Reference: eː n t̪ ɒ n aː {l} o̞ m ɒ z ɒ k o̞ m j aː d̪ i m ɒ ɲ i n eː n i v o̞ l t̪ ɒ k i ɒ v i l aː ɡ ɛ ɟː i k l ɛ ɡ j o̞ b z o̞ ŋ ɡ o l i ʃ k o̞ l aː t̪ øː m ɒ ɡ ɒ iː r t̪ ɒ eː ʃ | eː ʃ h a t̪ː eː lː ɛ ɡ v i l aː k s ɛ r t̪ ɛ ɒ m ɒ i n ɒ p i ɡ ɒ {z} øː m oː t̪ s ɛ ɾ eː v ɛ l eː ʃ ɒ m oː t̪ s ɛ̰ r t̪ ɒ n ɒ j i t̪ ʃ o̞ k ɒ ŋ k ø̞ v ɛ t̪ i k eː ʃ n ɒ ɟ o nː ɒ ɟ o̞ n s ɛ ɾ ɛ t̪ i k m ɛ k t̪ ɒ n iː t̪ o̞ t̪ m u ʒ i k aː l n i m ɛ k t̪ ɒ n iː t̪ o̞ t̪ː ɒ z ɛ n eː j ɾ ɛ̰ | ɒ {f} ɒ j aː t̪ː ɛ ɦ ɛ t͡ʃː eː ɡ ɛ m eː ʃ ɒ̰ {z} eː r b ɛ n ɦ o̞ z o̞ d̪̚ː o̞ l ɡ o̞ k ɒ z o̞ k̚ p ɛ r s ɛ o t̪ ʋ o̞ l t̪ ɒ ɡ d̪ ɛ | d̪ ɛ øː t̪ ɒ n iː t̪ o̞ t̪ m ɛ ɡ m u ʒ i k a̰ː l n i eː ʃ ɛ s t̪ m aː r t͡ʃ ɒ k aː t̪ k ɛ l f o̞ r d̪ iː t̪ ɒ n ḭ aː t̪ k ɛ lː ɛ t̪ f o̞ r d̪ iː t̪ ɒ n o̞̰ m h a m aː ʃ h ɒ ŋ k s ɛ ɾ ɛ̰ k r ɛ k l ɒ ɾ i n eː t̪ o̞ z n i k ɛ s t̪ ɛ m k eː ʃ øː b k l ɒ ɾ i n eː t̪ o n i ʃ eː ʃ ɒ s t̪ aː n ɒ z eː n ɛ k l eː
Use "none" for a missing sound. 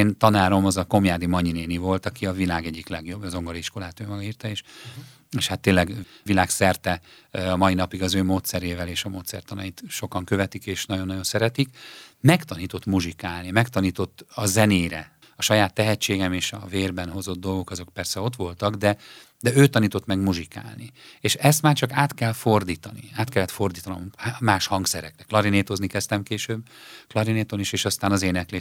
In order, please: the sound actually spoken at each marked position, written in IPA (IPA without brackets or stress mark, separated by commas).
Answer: ɾ, z, ʃ, v